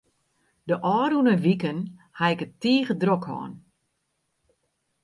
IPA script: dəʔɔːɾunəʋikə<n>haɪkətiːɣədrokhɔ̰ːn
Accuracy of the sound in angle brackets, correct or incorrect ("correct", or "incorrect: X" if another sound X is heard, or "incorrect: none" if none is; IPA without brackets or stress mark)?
correct